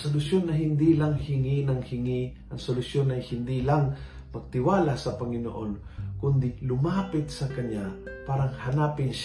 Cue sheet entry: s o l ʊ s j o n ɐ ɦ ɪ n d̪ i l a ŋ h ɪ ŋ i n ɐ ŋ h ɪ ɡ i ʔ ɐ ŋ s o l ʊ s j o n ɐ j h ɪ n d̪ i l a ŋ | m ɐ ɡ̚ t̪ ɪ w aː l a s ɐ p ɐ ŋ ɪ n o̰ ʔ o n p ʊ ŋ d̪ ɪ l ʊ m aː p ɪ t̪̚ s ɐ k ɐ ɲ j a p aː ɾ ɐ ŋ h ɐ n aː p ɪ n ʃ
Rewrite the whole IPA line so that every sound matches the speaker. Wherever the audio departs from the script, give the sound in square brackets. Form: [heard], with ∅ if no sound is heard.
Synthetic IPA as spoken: s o l ʊ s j o n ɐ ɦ ɪ n d̪ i l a ŋ h ɪ ŋ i n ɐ ŋ h ɪ [ŋ] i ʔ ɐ ŋ s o l ʊ s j o n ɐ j h ɪ n d̪ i l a ŋ | m ɐ ɡ̚ t̪ ɪ w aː l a s ɐ p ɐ ŋ ɪ n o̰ ʔ o n [k] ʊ [n] d̪ ɪ l ʊ m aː p ɪ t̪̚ s ɐ k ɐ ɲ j a p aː ɾ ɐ ŋ h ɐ n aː p ɪ n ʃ